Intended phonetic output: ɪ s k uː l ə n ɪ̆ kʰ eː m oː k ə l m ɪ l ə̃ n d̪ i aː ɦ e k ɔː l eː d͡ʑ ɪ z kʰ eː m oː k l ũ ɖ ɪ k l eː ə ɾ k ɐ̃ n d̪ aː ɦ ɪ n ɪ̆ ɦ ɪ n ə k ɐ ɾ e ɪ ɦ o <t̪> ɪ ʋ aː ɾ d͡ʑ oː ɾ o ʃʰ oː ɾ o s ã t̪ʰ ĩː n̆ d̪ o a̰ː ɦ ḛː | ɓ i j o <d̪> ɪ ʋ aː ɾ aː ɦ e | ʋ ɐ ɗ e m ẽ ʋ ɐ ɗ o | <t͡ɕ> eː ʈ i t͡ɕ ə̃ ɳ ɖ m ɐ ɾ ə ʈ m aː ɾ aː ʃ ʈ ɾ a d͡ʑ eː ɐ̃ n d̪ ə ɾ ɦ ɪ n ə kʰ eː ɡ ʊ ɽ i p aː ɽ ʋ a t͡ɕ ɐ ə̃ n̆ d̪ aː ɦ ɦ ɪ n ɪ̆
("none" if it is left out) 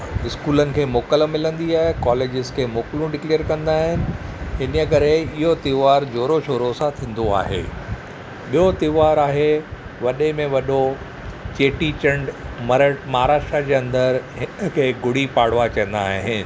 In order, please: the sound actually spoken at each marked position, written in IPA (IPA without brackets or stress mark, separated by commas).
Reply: t̪, t̪, t͡ɕ